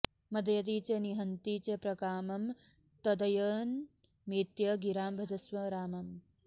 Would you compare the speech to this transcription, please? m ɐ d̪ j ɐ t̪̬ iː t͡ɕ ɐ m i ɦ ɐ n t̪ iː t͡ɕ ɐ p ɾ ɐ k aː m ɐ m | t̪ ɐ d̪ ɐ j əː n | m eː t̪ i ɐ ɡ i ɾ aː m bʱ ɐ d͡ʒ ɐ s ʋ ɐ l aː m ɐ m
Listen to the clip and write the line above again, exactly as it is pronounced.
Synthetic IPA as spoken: m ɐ d̪ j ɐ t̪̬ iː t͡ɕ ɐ n i ɦ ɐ n t̪ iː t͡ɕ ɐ p ɾ ɐ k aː m ɐ m | t̪ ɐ d̪ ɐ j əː n | m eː t̪ j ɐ ɡ i ɾ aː m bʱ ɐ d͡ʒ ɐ s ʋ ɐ ɾ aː m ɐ m